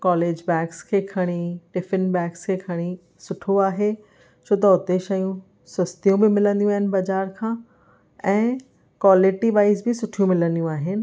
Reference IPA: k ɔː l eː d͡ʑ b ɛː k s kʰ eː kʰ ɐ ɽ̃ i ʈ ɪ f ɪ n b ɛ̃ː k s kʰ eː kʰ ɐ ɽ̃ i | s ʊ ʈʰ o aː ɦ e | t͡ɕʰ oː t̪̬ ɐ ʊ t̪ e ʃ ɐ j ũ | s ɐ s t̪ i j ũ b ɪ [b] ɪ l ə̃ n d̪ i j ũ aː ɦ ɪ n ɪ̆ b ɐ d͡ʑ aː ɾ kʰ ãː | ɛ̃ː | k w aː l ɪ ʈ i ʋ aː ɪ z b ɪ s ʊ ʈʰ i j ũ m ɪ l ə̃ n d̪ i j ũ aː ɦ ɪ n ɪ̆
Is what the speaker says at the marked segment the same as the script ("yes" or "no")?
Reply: no